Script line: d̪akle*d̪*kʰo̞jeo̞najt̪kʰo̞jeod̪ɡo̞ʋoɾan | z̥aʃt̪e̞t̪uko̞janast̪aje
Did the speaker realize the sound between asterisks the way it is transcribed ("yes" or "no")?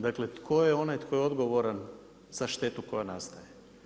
no